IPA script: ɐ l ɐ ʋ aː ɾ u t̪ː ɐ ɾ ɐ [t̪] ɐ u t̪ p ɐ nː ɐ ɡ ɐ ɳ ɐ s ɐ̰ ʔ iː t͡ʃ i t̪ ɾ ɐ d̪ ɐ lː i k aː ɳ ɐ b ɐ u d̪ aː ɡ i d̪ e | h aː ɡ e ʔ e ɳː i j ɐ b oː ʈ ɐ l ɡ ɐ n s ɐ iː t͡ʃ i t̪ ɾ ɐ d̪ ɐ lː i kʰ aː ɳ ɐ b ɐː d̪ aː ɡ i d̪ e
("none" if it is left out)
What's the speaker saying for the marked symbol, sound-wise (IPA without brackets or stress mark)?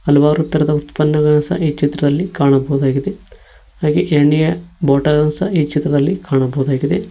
d̪